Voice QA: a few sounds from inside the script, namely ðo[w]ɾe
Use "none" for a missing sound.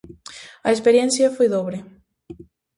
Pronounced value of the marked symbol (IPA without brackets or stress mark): β